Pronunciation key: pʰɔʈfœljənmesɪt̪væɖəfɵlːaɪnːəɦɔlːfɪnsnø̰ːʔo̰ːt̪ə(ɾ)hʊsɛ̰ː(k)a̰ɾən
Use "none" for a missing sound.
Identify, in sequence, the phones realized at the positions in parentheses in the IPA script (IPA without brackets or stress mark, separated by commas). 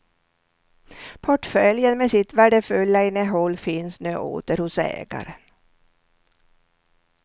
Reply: ɾ, ɡ